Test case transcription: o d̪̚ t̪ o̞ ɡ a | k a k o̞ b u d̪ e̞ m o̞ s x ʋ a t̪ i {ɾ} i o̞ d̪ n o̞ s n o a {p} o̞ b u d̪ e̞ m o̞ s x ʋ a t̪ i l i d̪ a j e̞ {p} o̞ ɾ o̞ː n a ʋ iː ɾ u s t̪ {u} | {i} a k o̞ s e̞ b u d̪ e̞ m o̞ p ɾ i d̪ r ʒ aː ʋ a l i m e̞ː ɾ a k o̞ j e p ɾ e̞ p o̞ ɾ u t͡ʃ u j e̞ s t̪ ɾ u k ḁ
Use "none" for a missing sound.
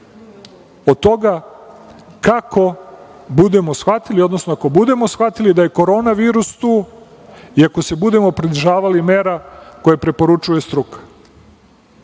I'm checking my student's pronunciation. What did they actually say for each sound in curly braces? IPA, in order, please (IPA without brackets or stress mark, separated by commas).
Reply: l, k, k, uː, i